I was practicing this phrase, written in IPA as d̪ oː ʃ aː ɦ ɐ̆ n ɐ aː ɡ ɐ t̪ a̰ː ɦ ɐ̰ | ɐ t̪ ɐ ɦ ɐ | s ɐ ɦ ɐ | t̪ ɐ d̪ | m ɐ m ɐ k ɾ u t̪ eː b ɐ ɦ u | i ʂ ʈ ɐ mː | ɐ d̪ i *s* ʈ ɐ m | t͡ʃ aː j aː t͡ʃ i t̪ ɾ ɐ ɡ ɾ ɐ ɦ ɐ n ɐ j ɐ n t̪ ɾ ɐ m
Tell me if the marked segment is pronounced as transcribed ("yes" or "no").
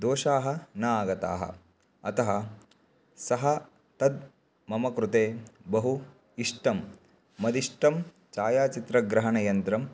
no